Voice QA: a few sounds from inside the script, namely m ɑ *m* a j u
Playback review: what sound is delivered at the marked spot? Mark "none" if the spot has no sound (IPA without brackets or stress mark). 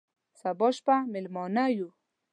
n